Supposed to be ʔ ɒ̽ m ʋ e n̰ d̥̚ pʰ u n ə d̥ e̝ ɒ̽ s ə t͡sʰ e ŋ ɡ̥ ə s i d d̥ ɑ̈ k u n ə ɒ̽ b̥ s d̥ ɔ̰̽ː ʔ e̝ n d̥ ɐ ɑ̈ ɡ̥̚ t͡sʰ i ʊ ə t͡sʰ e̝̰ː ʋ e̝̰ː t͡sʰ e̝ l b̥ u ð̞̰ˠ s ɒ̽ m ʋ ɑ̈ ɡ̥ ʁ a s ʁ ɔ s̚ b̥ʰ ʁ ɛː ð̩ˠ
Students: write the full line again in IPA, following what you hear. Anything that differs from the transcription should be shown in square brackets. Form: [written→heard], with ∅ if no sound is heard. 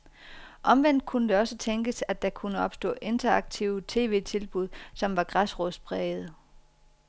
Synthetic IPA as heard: ʔ ɒ̽ m ʋ e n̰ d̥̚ [pʰ→kʰ] u n ə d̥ e̝ ɒ̽ s ə t͡sʰ e ŋ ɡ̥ ə s [i→æ] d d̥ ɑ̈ [k→kʰ] u n ə ɒ̽ b̥ s d̥ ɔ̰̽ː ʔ e̝ n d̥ ɐ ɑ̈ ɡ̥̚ t͡sʰ i ʊ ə t͡sʰ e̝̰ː ʋ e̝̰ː t͡sʰ e̝ l b̥ u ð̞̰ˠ s ɒ̽ m ʋ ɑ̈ ɡ̥ ʁ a s ʁ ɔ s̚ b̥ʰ ʁ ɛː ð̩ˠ